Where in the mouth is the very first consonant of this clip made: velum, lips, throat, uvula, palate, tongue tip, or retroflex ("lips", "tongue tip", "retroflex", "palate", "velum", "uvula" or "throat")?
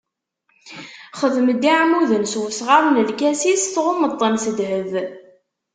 uvula